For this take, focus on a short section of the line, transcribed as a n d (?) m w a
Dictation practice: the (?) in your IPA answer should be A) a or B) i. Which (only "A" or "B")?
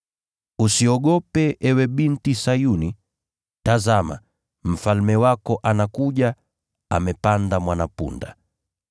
A